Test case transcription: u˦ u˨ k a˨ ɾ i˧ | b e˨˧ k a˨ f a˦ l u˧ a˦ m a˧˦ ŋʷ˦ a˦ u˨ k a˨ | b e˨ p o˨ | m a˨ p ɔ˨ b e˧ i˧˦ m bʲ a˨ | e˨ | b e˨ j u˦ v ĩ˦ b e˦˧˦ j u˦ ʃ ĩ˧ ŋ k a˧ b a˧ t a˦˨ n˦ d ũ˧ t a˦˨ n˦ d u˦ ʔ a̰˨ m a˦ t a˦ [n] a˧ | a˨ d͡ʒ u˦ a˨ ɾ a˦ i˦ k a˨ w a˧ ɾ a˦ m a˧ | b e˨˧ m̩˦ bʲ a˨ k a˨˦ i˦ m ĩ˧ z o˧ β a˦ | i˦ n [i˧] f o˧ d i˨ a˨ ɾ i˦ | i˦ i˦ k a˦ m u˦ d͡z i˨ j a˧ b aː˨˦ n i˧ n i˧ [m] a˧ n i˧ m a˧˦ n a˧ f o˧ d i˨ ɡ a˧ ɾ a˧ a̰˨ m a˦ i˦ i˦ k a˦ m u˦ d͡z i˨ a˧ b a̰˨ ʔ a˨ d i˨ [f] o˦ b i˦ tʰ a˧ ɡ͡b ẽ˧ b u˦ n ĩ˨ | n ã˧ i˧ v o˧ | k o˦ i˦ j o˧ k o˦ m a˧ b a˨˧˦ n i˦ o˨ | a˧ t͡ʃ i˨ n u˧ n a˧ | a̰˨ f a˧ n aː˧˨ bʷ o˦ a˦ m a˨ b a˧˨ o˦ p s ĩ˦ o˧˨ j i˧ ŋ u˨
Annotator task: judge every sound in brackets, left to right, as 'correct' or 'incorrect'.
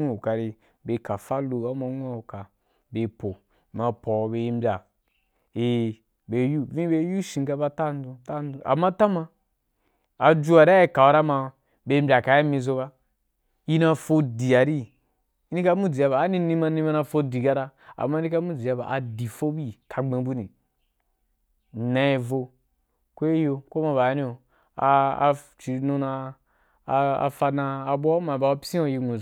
incorrect, incorrect, correct, correct

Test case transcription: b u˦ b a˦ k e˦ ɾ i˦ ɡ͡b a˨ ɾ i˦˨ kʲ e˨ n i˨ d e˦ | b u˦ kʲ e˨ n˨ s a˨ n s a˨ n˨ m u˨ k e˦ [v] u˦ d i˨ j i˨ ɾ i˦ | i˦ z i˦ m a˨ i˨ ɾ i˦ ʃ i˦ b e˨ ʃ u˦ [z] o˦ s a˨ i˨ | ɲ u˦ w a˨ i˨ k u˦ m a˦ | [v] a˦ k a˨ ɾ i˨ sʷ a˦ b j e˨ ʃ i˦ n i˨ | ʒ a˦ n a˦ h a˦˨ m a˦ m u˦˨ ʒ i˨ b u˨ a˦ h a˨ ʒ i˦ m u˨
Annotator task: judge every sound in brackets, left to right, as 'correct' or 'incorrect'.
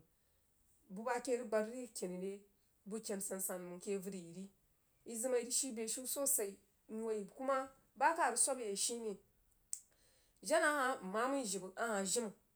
correct, incorrect, incorrect

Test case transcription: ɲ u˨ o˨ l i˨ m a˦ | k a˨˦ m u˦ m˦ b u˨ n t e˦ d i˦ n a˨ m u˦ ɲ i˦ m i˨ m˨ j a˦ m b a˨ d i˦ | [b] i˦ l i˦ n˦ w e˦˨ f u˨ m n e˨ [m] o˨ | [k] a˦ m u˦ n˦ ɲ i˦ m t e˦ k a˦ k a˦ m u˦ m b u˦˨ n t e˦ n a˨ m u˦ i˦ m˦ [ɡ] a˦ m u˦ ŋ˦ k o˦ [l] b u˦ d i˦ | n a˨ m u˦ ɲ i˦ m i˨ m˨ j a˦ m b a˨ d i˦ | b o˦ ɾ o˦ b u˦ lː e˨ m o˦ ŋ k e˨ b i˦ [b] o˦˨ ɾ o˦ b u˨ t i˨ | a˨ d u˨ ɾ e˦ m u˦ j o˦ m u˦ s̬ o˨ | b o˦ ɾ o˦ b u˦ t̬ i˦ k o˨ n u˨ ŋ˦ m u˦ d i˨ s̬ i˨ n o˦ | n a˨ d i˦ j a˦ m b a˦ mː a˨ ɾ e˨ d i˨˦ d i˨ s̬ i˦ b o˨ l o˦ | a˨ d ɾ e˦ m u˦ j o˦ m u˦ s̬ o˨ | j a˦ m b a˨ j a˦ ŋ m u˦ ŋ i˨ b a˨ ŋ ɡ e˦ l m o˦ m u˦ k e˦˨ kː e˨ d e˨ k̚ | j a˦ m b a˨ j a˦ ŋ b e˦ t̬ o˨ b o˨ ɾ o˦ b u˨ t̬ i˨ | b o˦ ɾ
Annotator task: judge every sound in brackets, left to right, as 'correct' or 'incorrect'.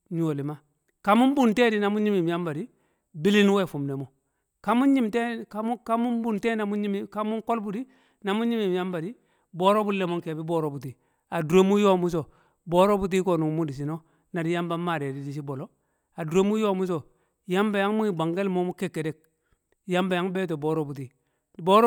correct, correct, correct, incorrect, correct, correct

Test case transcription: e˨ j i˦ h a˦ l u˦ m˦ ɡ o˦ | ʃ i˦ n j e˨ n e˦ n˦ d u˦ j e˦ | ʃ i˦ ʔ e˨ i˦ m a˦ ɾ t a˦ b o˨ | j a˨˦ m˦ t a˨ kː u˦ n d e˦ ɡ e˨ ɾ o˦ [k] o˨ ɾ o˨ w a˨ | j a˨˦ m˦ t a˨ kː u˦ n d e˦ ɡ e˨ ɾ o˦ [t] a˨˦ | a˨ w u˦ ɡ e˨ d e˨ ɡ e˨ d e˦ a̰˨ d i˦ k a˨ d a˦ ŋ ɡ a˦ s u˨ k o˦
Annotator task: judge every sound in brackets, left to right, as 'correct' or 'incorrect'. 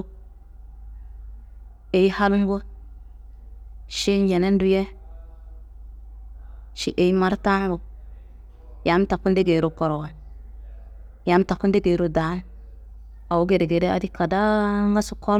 correct, incorrect

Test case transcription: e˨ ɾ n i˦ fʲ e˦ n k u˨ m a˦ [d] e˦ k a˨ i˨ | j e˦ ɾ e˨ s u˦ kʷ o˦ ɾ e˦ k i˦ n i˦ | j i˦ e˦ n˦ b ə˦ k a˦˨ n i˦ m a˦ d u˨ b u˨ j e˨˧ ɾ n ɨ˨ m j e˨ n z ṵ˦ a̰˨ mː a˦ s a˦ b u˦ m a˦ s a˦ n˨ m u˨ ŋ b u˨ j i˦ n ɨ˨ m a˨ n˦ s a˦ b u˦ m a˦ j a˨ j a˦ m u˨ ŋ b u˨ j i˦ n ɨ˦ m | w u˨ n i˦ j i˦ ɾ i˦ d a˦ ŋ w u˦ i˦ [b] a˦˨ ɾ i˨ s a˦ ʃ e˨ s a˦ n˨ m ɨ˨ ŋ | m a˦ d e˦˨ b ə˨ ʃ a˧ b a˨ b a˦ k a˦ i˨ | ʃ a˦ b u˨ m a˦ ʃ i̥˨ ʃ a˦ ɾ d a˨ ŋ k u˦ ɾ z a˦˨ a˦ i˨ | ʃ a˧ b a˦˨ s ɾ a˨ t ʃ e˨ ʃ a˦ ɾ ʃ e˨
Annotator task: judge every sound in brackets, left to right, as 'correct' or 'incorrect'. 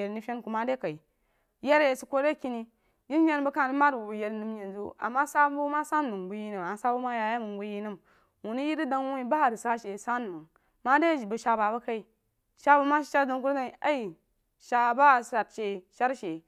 correct, correct

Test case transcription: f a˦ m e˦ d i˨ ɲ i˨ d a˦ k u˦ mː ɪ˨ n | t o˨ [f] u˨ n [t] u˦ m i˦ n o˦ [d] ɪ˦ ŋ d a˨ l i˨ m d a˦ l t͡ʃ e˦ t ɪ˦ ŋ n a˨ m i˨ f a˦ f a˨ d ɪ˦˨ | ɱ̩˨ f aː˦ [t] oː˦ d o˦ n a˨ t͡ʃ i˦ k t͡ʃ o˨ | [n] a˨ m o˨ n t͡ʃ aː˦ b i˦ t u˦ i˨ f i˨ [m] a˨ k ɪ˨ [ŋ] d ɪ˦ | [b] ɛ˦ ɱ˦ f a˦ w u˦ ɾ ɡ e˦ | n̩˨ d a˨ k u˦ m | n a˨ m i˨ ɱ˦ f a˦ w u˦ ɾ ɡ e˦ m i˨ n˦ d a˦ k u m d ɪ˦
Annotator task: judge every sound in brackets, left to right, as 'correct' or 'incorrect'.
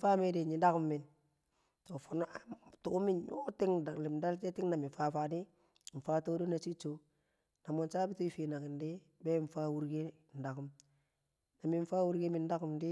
correct, correct, incorrect, correct, correct, incorrect, incorrect, correct

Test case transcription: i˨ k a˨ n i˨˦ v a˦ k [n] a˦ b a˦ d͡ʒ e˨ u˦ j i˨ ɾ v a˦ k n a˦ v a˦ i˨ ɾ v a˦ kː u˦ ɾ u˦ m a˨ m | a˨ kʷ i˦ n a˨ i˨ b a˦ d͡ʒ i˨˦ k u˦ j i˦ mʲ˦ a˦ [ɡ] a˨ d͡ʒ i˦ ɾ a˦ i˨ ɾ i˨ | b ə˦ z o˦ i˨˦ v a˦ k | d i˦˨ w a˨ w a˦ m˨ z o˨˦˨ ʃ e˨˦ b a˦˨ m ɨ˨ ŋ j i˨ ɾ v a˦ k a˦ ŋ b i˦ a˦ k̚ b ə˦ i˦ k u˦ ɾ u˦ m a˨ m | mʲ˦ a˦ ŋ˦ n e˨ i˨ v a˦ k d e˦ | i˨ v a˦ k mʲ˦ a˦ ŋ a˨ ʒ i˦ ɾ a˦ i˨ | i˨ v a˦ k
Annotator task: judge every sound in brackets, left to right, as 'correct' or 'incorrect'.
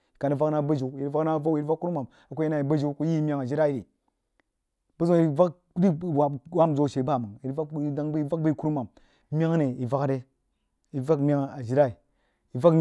correct, incorrect

